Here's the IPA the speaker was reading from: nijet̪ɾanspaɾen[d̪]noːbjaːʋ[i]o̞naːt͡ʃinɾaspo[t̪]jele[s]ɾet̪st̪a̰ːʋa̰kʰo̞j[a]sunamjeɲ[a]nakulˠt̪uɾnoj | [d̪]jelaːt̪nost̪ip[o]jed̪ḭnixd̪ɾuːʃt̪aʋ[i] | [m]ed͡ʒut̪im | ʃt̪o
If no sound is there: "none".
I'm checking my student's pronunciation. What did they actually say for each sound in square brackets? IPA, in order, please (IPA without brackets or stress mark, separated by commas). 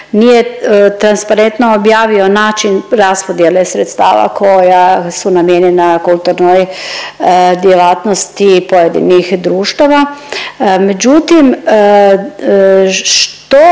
t̪, i, d̪, s, a, e, d̪, o, a, m